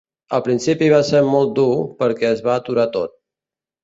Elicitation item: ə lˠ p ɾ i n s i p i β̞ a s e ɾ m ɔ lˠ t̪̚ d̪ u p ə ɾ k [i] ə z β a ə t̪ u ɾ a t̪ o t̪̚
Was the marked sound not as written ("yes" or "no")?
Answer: yes